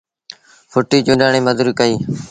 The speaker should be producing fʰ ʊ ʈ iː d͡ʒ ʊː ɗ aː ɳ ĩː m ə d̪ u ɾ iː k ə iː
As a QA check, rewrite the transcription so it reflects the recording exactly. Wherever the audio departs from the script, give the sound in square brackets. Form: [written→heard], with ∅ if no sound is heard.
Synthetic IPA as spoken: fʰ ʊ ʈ iː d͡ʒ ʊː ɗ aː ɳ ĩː m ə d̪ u ɾ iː k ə iː